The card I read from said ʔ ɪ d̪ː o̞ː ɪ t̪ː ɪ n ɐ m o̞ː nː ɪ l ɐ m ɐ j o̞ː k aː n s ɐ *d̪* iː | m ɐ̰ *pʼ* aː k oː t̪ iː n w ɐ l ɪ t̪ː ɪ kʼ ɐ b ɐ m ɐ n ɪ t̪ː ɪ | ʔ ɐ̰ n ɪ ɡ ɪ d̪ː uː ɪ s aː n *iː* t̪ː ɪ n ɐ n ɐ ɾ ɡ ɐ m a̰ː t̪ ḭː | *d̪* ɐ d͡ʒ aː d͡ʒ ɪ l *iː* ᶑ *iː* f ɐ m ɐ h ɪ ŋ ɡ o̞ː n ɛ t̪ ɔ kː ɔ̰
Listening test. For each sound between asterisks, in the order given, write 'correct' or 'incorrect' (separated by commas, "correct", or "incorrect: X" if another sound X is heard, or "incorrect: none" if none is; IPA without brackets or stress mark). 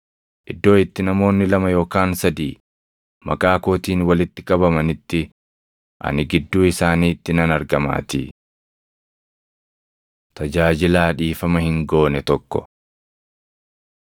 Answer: correct, incorrect: kʼ, correct, incorrect: t̪, incorrect: aː, correct